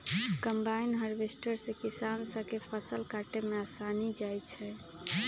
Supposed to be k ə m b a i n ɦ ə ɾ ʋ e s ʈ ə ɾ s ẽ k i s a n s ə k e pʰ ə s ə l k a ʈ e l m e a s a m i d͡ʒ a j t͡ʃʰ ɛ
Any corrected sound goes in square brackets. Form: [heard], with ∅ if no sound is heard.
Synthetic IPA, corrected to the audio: k ə m b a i n ɦ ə ɾ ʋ e s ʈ ə ɾ s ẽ k i s a n s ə k e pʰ ə s ə l k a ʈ e [∅] m e a s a [n] i d͡ʒ a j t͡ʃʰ ɛ

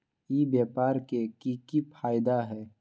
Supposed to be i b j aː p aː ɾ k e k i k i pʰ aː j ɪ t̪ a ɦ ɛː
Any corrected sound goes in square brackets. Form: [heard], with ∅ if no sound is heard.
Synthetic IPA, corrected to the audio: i b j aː p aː ɾ k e k i k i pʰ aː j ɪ [d̪] a ɦ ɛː

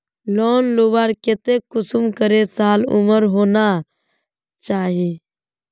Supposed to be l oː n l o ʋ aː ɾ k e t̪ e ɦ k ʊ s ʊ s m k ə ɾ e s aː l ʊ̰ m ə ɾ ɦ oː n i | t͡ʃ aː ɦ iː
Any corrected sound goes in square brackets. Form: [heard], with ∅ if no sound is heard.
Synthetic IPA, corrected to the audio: l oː n l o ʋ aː ɾ k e t̪ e [∅] k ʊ s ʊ [∅] m k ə ɾ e s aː l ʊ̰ m ə ɾ ɦ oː n [a] | t͡ʃ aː ɦ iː

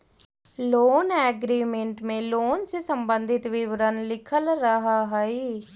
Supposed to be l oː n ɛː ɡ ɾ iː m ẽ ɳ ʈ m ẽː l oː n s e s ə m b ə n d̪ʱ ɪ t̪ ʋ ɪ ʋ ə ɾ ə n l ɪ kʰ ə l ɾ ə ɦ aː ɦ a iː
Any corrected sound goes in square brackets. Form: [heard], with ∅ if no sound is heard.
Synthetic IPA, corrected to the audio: l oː n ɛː ɡ ɾ iː m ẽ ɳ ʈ m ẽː l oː n s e s ə m b ə n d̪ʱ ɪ t̪ ʋ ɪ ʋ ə ɾ ə n l ɪ kʰ ə l ɾ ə ɦ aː ɦ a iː

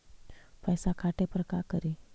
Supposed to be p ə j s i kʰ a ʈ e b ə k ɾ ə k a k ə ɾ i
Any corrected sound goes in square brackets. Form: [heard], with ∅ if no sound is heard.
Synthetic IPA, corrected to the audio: p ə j s [a] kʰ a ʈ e [p] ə [∅] ɾ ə k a k ə ɾ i

